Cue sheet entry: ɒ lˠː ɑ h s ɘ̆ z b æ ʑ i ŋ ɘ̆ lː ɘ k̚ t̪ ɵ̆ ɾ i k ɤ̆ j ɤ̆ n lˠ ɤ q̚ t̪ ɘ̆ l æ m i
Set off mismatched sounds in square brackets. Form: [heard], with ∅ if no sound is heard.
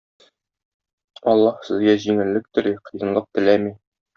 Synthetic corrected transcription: ɒ lˠː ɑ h s ɘ̆ z [ɡ] æ ʑ i ŋ ɘ̆ lː ɘ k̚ t̪ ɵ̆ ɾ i [q] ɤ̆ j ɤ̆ n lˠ ɤ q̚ t̪ ɘ̆ l æ m i